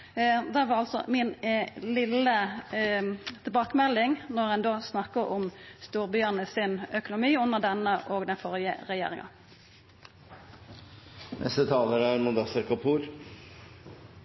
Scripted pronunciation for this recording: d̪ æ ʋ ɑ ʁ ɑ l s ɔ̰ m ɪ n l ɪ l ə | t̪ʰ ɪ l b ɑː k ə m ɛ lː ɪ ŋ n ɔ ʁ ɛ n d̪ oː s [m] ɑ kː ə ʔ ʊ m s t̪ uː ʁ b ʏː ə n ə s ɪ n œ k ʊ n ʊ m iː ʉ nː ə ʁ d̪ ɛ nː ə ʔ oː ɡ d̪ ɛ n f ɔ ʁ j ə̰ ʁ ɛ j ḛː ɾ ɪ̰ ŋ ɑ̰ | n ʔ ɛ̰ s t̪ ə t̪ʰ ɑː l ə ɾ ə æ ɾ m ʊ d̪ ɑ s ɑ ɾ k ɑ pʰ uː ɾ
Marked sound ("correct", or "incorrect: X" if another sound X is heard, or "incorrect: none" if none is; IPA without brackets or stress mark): incorrect: n